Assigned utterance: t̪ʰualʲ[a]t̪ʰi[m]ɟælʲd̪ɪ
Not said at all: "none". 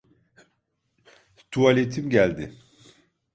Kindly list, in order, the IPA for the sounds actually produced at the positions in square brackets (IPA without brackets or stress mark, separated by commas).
e, m